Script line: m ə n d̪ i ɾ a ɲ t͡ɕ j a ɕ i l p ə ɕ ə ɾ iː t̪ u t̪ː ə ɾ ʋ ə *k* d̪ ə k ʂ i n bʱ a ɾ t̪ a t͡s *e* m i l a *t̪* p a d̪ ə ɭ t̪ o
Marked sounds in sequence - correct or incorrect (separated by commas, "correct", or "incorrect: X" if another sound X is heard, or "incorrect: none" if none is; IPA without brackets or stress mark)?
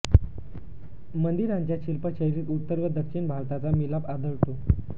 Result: incorrect: none, incorrect: a, incorrect: none